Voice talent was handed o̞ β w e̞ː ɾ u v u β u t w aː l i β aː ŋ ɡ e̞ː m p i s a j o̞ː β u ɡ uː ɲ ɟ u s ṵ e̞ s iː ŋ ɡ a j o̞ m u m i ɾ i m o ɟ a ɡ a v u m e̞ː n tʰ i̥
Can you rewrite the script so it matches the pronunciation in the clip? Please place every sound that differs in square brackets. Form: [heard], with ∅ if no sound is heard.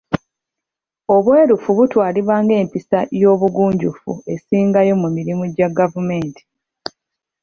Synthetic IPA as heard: o̞ β w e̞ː ɾ u [f] u β u t w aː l i β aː ŋ ɡ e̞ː m p i s a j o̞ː β u ɡ uː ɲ ɟ u [f] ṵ e̞ s iː ŋ ɡ a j o̞ m u m i ɾ i m [u] ɟ a ɡ a v u m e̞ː n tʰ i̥